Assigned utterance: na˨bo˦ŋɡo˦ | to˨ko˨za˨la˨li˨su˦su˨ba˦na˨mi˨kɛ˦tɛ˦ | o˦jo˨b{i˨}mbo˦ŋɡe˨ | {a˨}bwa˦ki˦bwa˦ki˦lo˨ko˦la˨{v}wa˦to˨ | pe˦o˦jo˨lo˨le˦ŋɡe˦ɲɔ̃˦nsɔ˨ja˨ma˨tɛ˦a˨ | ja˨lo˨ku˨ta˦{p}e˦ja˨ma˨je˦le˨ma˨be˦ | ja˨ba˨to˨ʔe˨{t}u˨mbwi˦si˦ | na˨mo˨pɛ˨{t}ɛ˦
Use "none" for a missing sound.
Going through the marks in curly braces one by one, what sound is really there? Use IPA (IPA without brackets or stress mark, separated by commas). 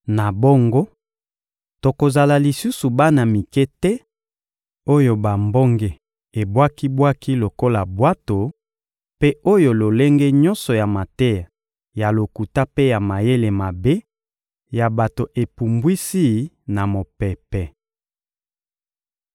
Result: a˨, e˨, b, p, p, p